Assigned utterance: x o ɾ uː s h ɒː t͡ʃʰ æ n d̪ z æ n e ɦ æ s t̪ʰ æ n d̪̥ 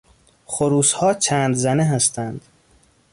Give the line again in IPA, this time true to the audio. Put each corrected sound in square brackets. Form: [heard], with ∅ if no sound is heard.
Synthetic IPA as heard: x o ɾ uː s h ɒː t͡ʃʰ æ n d̪ z æ n e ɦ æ s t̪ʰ æ n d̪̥